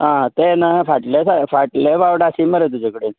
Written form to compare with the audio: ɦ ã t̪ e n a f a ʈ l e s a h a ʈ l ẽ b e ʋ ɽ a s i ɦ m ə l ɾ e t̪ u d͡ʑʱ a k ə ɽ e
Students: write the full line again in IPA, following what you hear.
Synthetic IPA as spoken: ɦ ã t̪ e n a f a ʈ l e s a f a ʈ l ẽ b a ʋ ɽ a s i m ə ɾ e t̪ u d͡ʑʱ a k ə ɽ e

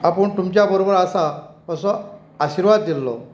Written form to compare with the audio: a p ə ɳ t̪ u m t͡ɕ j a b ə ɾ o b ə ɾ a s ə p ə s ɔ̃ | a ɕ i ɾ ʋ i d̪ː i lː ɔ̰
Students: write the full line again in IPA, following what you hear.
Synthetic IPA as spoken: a p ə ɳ t̪ u m t͡ɕ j a b ə ɾ o b ə ɾ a s a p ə s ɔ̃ | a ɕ i ɾ ʋ a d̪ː i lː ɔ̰

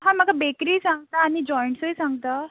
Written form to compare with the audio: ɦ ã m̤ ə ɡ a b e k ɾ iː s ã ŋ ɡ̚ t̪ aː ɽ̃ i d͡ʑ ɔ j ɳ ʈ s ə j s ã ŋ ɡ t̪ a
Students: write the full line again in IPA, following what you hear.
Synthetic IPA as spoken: ɦ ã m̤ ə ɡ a b e k ɾ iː s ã ŋ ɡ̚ t̪ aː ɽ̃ i d͡ʑ ɔ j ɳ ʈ s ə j s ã ŋ ɡ t̪ a

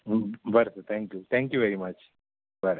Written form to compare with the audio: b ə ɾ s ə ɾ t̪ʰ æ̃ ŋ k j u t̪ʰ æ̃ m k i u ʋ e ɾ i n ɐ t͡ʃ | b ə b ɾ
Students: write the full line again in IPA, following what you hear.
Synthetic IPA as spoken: b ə ɾ s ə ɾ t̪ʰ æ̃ ŋ k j u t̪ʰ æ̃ ŋ k j u ʋ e ɾ i m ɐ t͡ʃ | b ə ɾ

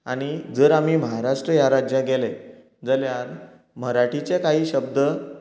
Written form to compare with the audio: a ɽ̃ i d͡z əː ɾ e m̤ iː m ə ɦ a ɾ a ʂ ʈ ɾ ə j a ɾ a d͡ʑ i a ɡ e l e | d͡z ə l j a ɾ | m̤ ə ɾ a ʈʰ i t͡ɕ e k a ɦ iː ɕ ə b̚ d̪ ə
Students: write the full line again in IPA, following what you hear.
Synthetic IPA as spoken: a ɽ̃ i d͡z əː ɾ a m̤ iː m ə ɦ a ɾ a ʂ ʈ ɾ ə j a ɾ a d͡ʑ j a ɡ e l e | d͡z ə l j a ɾ | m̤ ə ɾ a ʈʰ i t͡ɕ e k a ɦ iː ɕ ə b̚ d̪ ə

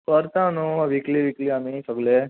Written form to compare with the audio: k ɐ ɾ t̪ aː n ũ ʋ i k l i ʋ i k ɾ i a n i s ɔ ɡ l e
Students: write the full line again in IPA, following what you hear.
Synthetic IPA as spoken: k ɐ ɾ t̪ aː n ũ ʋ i k l i ʋ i k l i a m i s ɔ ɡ l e

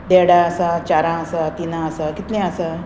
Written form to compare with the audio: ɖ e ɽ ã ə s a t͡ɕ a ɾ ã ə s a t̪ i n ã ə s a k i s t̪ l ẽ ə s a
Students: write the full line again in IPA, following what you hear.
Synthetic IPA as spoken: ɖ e ɽ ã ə s a t͡ɕ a ɾ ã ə s a t̪ i n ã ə s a k i t̪ l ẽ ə s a

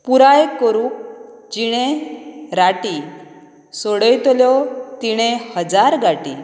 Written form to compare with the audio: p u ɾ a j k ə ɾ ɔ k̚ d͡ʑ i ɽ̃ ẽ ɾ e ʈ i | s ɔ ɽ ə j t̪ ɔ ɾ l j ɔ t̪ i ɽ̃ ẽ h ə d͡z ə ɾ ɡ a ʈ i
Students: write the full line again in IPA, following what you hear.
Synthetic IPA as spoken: p u ɾ a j k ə ɾ u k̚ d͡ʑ i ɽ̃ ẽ ɾ a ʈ i | s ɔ ɽ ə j t̪ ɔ l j ɔ t̪ i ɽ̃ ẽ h ə d͡z a ɾ ɡ a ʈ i

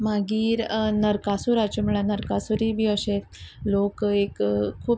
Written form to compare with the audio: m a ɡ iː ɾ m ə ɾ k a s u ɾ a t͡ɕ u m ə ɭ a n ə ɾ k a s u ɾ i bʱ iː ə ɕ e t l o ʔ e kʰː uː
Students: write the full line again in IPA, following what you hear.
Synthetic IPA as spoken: m a ɡ iː ɾ n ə ɾ k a s u ɾ a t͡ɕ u m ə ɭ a n ə ɾ k a s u ɾ i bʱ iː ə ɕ e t l o k e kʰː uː

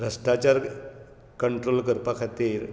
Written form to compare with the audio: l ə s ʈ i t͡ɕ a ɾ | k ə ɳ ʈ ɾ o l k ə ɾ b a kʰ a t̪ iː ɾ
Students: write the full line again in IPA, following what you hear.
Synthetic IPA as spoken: ɾ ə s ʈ a t͡ɕ a ɾ | k ə ɳ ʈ ɾ o l k ə ɾ p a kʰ a t̪ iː ɾ

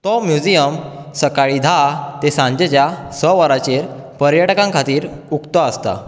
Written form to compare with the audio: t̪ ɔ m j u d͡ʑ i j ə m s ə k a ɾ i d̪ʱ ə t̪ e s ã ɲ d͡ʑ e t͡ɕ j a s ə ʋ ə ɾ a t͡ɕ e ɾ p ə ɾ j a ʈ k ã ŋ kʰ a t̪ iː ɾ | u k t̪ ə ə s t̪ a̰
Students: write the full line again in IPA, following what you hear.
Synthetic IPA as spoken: t̪ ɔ m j u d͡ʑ i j ə m s ə k a ɭ i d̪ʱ a t̪ e s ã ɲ d͡ʑ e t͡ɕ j a s ə ʋ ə ɾ a t͡ɕ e ɾ p ə ɾ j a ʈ k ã ŋ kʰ a t̪ iː ɾ | u k t̪ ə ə s t̪ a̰

